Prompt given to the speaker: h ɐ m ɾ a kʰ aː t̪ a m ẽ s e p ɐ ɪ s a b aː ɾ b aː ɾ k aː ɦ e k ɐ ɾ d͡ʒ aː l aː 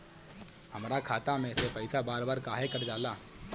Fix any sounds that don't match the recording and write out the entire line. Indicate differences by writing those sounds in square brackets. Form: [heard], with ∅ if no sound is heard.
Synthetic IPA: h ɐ m ɾ a kʰ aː t̪ a m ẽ s e p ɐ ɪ s a b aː ɾ b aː ɾ k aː ɦ e k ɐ ɾ d͡ʒ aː l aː